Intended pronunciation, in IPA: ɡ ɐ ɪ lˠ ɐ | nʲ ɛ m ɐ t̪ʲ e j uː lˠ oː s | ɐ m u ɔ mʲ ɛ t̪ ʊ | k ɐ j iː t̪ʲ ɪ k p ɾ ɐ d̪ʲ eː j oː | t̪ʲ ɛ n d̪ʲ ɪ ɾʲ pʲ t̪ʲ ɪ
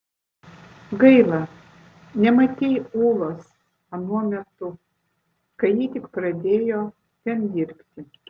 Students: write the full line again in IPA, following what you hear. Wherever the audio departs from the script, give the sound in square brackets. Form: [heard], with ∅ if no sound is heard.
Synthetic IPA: ɡ ɐ ɪ lˠ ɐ | nʲ ɛ m ɐ t̪ʲ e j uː lˠ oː s | ɐ [n] u ɔ mʲ ɛ t̪ ʊ | k ɐ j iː t̪ʲ ɪ k p ɾ ɐ d̪ʲ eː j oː | t̪ʲ ɛ n d̪ʲ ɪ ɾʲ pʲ t̪ʲ ɪ

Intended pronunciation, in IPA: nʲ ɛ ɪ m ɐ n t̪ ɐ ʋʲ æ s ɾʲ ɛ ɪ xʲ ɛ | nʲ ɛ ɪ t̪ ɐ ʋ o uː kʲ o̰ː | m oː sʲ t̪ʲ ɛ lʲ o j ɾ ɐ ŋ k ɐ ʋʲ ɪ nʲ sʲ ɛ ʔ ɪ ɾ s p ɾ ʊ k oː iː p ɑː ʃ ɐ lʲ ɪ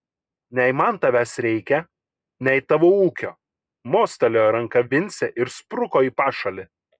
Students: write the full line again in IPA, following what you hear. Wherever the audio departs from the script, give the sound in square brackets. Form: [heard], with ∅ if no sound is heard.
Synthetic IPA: nʲ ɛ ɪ m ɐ n t̪ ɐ ʋʲ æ s ɾʲ ɛ ɪ [kʲ] ɛ | nʲ ɛ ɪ t̪ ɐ ʋ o uː kʲ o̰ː | m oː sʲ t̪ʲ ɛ lʲ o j ɾ ɐ ŋ k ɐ ʋʲ ɪ nʲ sʲ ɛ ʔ ɪ ɾ s p ɾ ʊ k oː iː p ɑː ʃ ɐ lʲ ɪ

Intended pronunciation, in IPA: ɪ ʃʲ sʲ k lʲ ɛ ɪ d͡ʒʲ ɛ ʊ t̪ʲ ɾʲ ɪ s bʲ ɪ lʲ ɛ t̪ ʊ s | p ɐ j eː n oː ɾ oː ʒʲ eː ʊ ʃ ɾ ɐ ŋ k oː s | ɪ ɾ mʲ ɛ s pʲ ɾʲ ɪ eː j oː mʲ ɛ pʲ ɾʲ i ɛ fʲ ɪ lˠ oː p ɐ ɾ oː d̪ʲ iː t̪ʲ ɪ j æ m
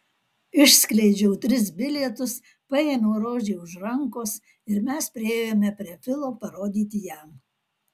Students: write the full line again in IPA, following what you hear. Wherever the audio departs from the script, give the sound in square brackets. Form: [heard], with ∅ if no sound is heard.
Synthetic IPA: ɪ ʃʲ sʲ k lʲ ɛ ɪ d͡ʒʲ ɛ ʊ t̪ʲ ɾʲ ɪ s bʲ ɪ lʲ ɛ t̪ ʊ s | p ɐ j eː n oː ɾ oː ʒʲ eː ʊ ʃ ɾ ɐ ŋ k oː s | ɪ ɾ mʲ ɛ s pʲ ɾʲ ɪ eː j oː mʲ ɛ pʲ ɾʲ i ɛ fʲ ɪ lˠ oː p ɐ ɾ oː d̪ʲ iː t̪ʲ ɪ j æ m

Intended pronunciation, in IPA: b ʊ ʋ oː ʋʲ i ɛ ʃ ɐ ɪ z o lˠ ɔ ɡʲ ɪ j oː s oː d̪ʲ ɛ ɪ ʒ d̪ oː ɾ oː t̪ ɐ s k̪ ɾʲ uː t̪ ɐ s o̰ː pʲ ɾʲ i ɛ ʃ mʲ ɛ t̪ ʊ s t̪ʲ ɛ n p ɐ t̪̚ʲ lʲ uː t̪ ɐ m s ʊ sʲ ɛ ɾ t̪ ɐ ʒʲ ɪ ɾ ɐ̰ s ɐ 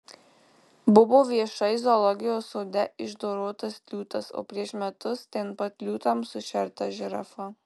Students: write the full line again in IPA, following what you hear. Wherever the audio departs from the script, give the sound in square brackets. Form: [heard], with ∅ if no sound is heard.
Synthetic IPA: b ʊ ʋ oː ʋʲ i ɛ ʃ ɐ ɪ z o lˠ ɔ ɡʲ ɪ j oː s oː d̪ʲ ɛ ɪ ʒ d̪ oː ɾ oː t̪ ɐ s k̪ [lʲ] uː t̪ ɐ s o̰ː pʲ ɾʲ i ɛ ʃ mʲ ɛ t̪ ʊ s t̪ʲ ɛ n p ɐ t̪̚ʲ lʲ uː t̪ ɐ m s ʊ [ʃʲ] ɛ ɾ t̪ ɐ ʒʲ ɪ ɾ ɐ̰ [f] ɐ

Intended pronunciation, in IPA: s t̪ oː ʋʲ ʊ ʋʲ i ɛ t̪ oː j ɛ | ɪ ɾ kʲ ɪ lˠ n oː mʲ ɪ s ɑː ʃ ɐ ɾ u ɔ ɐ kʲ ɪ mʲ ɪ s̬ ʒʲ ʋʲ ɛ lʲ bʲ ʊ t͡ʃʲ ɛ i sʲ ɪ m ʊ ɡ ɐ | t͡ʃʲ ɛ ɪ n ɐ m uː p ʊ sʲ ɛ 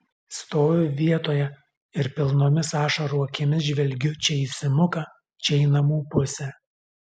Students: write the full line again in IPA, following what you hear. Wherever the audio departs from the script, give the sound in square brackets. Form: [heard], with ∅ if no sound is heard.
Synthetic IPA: s t̪ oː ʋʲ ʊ ʋʲ i ɛ t̪ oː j ɛ | ɪ ɾ [pʲ] ɪ lˠ n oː mʲ ɪ s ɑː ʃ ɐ ɾ u ɔ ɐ kʲ ɪ mʲ ɪ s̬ ʒʲ ʋʲ ɛ lʲ [ɡʲ] ʊ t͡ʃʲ ɛ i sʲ ɪ m ʊ [k] ɐ | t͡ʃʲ ɛ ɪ n ɐ m uː p ʊ sʲ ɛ

